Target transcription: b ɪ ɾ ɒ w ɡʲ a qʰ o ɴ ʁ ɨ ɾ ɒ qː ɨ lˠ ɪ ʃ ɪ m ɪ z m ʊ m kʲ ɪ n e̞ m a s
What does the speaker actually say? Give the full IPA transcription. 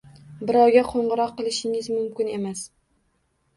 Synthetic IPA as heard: b ɪ ɾ ɒ w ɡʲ a qʰ o ɴ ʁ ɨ ɾ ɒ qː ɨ lˠ ɪ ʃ ɪ ŋ ɪ z m ʊ m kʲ ɪ n e̞ m a s